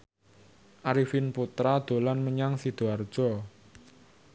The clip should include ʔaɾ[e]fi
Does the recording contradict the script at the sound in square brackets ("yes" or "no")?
yes